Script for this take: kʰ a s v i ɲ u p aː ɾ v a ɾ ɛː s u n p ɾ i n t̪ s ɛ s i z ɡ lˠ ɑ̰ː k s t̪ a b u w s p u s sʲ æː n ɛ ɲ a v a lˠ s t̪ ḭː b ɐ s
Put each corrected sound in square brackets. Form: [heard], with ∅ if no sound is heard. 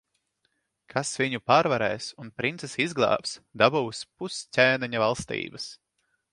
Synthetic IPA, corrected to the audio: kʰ a s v i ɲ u p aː ɾ v a ɾ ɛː s u n p ɾ i n t̪ s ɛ s i z ɡ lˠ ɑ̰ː [p] s [d̪] a b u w s p u s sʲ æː n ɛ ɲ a v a lˠ s t̪ ḭː b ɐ s